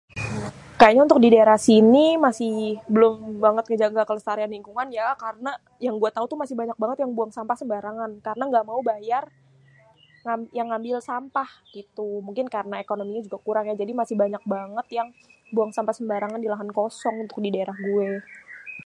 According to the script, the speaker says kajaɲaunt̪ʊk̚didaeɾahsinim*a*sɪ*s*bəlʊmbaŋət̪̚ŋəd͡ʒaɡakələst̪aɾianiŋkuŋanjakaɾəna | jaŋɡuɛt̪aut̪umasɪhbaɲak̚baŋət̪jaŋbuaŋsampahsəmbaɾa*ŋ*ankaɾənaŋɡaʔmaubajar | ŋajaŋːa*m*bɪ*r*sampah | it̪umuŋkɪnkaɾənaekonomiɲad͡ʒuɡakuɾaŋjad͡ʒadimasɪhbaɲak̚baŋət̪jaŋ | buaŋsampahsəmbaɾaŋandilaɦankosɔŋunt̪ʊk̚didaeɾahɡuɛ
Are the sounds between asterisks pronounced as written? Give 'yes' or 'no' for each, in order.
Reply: yes, no, yes, yes, no

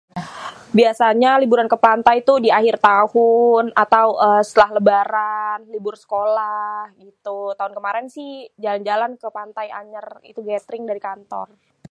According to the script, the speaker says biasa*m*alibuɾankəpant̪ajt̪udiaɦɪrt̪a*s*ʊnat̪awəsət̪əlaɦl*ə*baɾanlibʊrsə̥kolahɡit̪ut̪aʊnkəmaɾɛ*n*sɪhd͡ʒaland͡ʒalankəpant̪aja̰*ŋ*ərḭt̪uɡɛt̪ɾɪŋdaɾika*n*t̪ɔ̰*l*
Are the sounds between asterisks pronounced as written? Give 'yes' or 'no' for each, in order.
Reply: no, no, yes, yes, no, yes, no

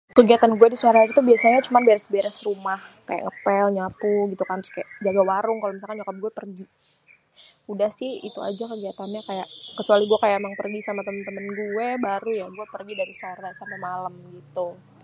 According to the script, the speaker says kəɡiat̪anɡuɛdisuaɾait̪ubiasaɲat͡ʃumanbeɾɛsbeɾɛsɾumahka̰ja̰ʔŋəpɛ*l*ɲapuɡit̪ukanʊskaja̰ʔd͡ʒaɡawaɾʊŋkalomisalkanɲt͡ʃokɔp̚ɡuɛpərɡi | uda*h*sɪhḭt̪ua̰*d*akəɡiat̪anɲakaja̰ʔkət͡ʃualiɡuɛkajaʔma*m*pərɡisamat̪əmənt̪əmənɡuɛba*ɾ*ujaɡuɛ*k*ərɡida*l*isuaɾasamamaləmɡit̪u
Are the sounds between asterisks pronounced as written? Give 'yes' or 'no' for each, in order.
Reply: yes, yes, no, no, yes, no, no

